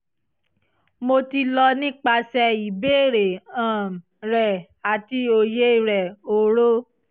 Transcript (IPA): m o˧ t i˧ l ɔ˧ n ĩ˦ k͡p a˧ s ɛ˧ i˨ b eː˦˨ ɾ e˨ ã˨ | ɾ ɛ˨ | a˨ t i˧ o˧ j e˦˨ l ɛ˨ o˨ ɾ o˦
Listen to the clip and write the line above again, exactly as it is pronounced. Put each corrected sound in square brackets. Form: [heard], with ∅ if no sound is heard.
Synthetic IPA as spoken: m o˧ t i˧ l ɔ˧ n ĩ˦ k͡p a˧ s ɛ˧ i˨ b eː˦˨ ɾ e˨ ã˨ | ɾ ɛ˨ | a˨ t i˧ o˧ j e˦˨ [ɾ] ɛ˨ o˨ ɾ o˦

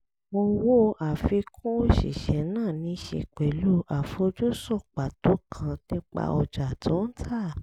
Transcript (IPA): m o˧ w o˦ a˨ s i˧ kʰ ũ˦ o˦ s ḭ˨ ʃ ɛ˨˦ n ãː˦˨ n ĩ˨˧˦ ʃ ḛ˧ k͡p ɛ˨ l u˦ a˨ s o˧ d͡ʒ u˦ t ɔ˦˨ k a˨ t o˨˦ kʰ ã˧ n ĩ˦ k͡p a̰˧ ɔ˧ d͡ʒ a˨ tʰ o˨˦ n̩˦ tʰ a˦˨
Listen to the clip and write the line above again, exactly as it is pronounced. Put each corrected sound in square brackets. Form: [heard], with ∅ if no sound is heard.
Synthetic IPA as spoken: m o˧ w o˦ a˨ [f] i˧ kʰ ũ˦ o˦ [ʃ] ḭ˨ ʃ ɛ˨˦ n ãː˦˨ n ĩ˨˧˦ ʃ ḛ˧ k͡p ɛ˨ l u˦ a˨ [f] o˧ d͡ʒ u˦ [s] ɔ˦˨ [k͡p] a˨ t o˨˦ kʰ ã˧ n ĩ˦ k͡p a̰˧ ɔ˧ d͡ʒ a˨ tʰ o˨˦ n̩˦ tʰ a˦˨

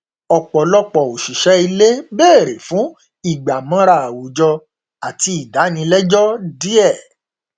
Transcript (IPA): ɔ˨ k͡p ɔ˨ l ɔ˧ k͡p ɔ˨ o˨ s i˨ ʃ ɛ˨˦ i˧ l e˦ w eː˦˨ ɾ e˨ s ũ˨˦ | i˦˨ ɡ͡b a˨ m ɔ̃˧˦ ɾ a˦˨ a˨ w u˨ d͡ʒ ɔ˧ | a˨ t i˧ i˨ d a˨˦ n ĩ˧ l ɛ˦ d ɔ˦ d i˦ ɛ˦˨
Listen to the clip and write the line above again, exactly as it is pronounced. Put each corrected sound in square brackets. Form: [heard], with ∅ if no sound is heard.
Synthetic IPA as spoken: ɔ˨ k͡p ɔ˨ l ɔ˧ k͡p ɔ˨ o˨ [ʃ] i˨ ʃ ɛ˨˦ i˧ l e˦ [b] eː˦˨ ɾ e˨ [f] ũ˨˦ | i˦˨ ɡ͡b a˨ m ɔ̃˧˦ ɾ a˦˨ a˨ w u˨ d͡ʒ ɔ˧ | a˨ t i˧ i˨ d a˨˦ n ĩ˧ l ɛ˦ [d͡ʒ] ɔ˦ d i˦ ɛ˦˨

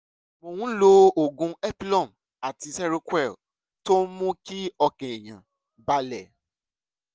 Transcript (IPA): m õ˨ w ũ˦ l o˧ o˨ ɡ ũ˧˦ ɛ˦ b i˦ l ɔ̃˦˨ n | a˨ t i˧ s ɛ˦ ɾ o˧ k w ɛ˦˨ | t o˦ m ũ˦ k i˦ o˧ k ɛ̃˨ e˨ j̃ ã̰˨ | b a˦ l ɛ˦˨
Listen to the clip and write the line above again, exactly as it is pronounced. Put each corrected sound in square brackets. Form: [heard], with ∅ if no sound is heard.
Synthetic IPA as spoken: m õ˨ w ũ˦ l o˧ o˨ ɡ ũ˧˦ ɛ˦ [p] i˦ l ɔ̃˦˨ [m] | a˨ t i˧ s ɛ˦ ɾ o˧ k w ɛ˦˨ | t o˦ m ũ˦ k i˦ [ɔ˧] k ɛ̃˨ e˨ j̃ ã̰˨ | b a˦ l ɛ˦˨

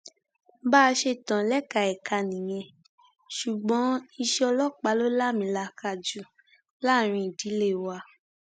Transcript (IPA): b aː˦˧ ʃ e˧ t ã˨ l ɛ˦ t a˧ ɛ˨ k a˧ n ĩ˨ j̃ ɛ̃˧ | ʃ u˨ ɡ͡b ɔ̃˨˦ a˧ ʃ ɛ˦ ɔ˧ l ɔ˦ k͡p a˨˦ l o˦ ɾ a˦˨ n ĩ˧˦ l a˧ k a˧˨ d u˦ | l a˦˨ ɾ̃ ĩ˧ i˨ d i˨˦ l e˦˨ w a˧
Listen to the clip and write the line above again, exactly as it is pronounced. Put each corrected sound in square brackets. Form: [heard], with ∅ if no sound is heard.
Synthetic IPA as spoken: b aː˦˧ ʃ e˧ t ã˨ l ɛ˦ [k] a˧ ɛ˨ k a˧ n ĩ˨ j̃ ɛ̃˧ | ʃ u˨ ɡ͡b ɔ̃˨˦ [i˧] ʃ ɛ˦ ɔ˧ l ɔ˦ k͡p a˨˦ l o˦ [l] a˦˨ [m] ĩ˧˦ l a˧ k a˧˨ [d͡ʒ] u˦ | l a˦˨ ɾ̃ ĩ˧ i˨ d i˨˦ l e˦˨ w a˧

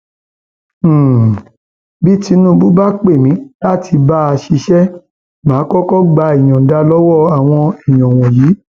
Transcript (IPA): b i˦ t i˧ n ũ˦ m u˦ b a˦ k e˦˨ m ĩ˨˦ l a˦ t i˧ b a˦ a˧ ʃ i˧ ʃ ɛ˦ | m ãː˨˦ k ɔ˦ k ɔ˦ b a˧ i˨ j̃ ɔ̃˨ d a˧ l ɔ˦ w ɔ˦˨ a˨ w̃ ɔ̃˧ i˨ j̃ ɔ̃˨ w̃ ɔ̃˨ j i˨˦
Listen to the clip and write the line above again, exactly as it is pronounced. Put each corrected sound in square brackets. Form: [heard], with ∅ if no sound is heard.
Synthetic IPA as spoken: b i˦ t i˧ n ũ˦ [b] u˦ b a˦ [k͡p] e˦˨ m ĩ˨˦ l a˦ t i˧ b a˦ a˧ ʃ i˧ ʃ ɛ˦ | m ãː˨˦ k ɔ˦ k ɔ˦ [ɡ͡b] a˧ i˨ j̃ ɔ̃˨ d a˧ l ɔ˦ w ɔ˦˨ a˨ w̃ ɔ̃˧ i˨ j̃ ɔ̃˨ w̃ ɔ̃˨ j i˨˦

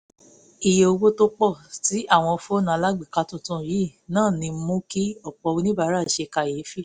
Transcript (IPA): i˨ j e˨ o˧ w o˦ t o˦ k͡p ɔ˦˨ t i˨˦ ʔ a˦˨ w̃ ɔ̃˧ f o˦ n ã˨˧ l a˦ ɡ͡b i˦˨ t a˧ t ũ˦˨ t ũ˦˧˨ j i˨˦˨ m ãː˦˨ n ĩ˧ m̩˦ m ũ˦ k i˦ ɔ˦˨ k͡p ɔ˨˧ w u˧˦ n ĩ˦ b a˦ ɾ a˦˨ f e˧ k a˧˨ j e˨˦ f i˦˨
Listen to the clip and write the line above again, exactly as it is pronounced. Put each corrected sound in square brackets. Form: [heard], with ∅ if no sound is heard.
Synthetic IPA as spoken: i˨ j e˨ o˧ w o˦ t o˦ k͡p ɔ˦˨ t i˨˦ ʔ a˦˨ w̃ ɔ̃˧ f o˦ n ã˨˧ l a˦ ɡ͡b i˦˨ [k] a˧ t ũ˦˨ t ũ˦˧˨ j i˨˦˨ [n] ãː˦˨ n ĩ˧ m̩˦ m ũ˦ k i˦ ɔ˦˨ k͡p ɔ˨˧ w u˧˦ n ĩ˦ b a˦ ɾ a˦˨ [ʃ] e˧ k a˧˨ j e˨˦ f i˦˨

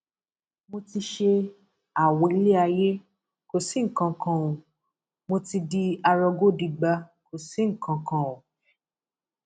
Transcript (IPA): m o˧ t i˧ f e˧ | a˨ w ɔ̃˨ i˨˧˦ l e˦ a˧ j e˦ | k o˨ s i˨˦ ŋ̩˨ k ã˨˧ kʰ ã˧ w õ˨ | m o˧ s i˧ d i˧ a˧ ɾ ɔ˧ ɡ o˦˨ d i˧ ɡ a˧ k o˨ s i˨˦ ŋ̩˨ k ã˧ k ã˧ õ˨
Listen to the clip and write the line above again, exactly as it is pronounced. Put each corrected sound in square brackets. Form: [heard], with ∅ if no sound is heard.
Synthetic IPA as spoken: m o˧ t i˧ [ʃ] e˧ | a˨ w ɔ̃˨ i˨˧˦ l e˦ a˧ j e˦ | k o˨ s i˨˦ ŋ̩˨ k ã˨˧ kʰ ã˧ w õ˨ | m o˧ [t] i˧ d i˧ a˧ ɾ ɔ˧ ɡ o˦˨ d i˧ [ɡ͡b] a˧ k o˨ s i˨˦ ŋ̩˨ k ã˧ k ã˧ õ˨

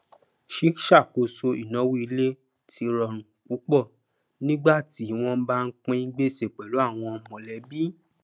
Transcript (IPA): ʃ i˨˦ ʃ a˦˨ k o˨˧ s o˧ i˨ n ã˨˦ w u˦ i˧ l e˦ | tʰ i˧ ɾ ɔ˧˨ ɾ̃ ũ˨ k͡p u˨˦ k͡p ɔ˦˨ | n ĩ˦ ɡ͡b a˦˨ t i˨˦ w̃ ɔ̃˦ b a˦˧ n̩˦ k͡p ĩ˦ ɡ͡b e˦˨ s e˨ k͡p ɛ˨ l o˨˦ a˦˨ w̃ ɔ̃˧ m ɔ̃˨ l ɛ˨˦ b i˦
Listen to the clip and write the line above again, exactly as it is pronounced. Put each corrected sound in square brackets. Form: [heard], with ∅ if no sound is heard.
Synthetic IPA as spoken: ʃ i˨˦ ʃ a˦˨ k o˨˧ s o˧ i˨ n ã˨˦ w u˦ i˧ l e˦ | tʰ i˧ ɾ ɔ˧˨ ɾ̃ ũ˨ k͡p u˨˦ k͡p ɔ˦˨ | n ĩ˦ ɡ͡b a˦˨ t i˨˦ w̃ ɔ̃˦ b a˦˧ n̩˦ k͡p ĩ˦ ɡ͡b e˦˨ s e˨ k͡p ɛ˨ l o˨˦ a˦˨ w̃ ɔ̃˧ m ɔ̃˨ l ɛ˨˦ b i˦

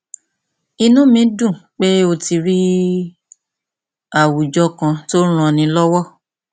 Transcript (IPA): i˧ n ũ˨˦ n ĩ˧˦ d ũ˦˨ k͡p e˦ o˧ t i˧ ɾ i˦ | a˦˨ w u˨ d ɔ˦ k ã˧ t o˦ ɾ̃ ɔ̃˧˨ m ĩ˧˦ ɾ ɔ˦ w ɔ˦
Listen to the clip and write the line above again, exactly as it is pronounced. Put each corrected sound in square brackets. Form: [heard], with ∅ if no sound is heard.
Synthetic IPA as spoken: i˧ n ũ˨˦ [m] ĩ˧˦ d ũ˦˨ k͡p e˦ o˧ t i˧ ɾ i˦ | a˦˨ w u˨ [d͡ʒ] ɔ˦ k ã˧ t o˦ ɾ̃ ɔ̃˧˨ [n] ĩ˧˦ [l] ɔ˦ w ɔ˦

